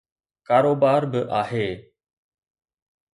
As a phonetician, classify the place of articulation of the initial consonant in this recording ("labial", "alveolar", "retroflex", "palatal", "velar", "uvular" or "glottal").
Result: velar